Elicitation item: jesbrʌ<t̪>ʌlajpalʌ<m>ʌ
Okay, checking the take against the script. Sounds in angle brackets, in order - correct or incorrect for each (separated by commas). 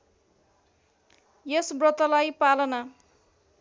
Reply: correct, incorrect